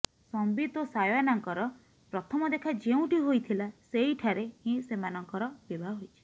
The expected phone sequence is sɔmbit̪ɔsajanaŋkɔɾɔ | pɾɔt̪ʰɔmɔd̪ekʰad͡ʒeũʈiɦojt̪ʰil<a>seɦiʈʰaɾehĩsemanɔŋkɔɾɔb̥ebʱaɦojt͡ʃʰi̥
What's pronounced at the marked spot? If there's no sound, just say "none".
a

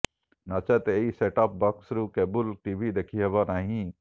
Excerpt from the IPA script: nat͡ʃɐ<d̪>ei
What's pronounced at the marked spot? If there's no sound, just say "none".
t̪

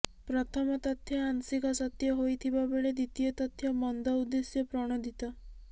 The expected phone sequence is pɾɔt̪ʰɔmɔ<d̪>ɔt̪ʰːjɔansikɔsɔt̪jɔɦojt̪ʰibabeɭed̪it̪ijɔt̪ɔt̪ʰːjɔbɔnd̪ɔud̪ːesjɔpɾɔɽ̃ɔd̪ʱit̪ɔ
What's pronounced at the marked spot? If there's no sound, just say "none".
t̪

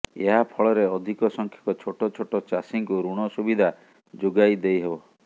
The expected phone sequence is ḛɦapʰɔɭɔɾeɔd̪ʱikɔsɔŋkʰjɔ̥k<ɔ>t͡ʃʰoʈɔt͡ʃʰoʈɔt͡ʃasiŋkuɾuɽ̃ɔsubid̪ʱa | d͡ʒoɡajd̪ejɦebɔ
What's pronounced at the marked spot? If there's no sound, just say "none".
ɔ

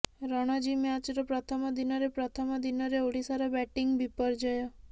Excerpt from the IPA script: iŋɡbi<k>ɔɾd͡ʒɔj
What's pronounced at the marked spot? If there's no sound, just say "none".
p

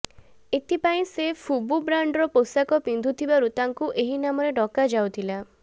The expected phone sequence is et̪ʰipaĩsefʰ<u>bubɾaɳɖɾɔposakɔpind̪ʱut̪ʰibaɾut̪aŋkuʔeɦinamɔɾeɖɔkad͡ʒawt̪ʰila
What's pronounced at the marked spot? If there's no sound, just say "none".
u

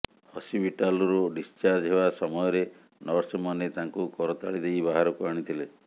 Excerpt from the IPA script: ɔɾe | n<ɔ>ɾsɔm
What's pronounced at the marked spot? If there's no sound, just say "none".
ɔ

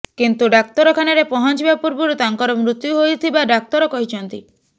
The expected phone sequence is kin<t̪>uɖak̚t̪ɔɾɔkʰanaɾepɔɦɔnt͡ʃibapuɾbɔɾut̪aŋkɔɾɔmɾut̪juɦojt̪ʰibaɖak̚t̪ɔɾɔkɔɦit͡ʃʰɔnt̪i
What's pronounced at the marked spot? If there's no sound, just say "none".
t̪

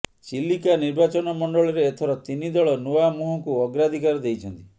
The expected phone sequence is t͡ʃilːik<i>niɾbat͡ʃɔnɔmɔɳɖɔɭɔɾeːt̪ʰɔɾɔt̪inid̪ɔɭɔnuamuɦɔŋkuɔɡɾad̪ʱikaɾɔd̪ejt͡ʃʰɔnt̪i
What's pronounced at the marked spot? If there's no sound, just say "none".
a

